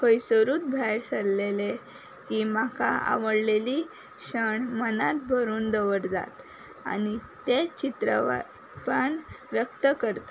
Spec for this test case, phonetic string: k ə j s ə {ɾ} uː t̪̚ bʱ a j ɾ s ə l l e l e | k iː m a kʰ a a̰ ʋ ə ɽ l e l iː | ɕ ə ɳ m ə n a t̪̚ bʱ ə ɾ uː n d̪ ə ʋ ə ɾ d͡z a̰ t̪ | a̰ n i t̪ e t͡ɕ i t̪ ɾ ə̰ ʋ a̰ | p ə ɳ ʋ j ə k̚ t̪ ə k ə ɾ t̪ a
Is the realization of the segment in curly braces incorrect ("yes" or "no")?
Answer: no